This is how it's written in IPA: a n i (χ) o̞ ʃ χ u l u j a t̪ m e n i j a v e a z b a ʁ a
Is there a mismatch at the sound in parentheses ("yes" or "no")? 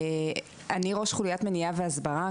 yes